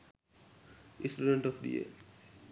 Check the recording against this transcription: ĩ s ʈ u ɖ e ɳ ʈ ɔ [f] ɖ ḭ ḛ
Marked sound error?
no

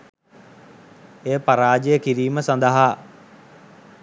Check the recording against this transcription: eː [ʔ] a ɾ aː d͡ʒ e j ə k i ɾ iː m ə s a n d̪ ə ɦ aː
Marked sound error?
yes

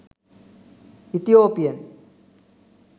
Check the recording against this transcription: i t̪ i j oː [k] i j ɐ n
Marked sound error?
yes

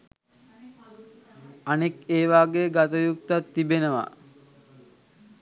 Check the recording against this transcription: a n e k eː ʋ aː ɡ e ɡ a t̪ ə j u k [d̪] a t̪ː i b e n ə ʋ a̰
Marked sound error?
yes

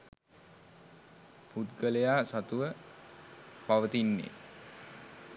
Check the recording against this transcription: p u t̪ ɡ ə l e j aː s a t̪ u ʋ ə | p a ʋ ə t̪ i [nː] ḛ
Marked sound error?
no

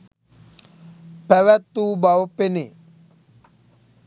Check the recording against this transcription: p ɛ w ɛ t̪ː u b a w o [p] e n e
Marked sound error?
no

